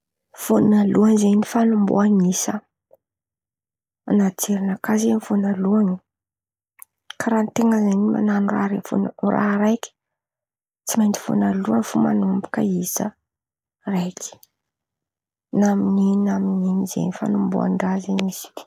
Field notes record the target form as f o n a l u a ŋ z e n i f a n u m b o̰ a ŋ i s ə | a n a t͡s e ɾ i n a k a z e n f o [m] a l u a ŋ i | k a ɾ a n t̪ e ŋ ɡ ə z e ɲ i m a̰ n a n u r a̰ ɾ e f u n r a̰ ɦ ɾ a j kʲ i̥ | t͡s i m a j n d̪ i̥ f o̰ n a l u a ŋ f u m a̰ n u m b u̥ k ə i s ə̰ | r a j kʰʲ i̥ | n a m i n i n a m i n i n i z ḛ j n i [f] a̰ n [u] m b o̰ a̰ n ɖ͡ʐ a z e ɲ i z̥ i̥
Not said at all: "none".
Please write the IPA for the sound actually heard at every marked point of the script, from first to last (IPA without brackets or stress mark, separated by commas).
n, f, u